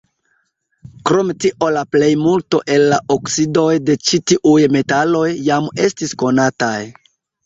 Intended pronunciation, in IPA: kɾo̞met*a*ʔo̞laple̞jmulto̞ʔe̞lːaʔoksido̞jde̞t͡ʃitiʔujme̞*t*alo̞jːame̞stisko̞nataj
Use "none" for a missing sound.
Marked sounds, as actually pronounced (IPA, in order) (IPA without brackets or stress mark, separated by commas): i, t